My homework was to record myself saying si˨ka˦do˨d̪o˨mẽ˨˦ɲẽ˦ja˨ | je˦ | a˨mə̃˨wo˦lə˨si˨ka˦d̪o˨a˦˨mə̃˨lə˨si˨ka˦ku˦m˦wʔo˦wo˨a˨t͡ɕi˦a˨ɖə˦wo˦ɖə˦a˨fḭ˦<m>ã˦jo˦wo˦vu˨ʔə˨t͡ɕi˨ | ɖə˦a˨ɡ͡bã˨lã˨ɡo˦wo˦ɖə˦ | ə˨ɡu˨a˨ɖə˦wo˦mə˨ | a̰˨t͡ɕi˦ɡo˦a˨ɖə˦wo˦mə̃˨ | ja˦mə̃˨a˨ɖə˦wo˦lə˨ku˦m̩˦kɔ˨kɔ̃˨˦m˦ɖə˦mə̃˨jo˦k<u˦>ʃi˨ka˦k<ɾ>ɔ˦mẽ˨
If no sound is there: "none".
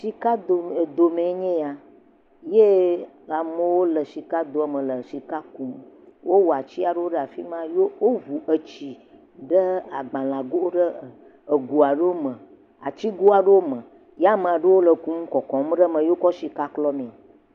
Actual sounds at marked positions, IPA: m, ɔ˦, l

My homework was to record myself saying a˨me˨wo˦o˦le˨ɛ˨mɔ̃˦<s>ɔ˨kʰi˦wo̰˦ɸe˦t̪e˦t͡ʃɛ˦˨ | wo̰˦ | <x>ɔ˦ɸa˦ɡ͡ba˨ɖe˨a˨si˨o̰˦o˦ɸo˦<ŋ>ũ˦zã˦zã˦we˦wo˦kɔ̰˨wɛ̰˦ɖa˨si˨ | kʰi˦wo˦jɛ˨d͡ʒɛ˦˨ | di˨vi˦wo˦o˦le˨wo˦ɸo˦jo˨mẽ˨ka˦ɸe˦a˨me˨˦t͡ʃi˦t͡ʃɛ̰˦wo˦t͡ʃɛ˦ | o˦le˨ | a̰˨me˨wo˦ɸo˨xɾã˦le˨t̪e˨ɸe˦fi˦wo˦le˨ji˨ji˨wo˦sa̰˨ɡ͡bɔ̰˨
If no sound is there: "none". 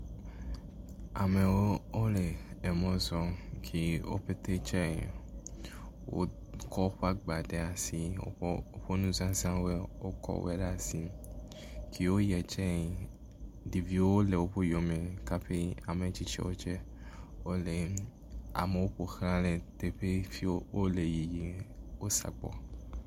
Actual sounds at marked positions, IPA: z, k, n

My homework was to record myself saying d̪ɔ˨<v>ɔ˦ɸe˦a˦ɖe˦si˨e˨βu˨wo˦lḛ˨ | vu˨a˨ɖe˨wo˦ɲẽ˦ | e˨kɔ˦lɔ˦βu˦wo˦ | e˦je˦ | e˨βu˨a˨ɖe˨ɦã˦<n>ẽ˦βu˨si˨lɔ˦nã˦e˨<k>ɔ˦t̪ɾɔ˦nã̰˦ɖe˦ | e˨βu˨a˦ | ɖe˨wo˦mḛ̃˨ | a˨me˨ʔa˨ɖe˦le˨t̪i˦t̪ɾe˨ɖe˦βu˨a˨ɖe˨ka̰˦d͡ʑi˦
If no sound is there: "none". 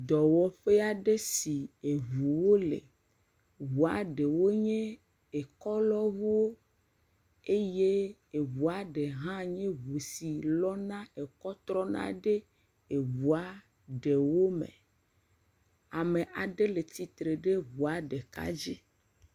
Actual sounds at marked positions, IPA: w, ɲ, k

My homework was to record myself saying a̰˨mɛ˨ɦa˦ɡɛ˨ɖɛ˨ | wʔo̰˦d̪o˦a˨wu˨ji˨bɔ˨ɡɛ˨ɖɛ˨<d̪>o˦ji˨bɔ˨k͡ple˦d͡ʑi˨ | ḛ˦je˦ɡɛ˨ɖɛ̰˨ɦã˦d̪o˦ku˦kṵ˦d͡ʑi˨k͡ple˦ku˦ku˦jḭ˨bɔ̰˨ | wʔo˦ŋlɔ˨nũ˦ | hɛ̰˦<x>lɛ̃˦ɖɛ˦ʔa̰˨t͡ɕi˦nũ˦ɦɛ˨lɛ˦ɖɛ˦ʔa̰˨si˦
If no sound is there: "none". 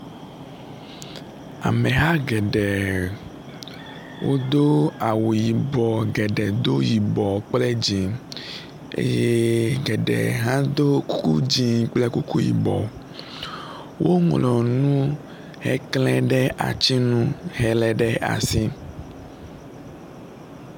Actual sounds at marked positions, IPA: d̪, k

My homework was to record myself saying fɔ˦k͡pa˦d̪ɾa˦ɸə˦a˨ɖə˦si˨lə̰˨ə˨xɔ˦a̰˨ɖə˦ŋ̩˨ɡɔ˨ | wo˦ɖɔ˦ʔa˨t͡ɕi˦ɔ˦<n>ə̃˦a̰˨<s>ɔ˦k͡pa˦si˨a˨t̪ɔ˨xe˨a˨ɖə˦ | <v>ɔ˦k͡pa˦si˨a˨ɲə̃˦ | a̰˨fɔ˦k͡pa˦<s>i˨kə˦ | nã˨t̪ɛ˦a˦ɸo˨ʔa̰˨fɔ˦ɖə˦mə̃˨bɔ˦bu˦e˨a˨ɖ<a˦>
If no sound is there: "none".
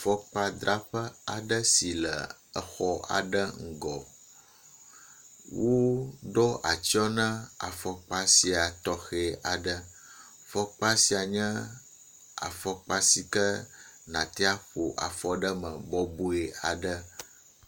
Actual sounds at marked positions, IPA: n, f, f, s, ə˦

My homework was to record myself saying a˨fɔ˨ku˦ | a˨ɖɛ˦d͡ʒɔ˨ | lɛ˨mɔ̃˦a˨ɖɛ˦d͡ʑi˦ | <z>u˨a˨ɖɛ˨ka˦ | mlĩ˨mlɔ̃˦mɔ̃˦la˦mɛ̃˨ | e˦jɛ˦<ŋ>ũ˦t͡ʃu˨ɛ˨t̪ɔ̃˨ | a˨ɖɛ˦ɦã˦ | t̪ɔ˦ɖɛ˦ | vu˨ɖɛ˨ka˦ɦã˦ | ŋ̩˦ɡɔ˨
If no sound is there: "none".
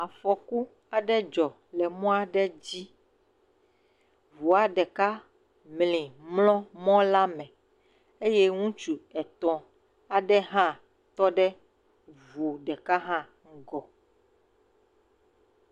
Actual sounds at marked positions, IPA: v, ŋ

